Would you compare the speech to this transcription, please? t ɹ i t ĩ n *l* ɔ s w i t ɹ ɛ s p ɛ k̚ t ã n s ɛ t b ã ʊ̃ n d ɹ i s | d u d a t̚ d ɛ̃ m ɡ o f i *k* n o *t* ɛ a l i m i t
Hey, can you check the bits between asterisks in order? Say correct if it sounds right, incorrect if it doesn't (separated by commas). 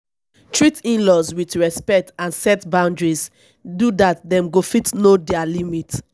correct, incorrect, incorrect